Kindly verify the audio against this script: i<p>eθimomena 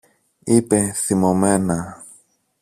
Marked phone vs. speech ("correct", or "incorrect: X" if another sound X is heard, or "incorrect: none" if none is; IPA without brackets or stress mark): correct